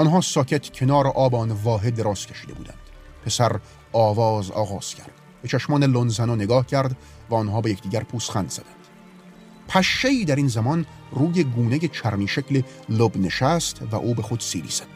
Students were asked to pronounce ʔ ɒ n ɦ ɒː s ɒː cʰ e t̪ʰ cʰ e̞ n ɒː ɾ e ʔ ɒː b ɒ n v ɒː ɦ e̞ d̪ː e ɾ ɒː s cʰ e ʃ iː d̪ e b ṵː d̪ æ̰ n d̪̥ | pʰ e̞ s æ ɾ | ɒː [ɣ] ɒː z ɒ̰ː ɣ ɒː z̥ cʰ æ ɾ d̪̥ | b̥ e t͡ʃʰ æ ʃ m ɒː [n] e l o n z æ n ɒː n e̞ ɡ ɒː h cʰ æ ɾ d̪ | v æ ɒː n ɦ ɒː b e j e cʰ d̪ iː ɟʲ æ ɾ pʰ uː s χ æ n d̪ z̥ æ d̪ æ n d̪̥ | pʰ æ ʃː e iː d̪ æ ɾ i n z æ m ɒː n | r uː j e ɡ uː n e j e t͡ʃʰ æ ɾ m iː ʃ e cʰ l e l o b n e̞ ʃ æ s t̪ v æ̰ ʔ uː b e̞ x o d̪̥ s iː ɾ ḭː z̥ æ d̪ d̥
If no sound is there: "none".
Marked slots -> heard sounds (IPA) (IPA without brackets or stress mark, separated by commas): v, n